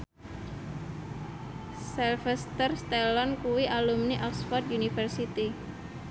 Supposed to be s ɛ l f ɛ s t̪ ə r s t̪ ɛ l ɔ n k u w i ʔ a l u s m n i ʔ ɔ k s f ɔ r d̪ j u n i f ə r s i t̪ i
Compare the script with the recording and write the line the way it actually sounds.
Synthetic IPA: s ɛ l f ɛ s t̪ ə r s t̪ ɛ l ɔ n k u w i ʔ a l u m n i ʔ ɔ k s f ɔ r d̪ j u n i f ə r s i t̪ i